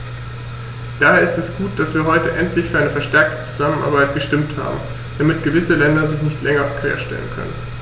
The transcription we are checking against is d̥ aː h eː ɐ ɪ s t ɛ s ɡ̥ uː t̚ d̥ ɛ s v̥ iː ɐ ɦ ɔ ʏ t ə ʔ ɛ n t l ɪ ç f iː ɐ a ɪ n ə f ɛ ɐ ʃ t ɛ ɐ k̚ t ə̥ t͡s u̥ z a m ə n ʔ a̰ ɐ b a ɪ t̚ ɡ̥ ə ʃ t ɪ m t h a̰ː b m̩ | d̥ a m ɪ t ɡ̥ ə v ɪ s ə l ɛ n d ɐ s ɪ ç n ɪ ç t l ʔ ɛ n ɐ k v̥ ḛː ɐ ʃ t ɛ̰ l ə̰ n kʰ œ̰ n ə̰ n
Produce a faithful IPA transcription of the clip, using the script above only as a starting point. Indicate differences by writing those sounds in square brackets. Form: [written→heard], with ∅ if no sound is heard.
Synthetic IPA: d̥ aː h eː ɐ ɪ s t ɛ s ɡ̥ uː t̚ d̥ [ɛ→a] s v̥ iː ɐ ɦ ɔ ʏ t ə ʔ ɛ n t l ɪ ç f [iː→yː] ɐ a ɪ n ə f ɛ ɐ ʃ t ɛ ɐ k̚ t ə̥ t͡s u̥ z a m ə n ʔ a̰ ɐ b a ɪ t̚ ɡ̥ ə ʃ t ɪ m t h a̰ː b m̩ | d̥ a m ɪ t ɡ̥ ə v ɪ s ə l ɛ n d ɐ [s→z] ɪ ç n ɪ ç t l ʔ ɛ [n→ŋ] ɐ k v̥ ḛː ɐ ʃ t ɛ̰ l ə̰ n kʰ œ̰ n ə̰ n